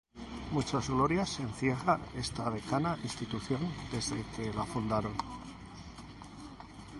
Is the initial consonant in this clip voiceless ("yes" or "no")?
no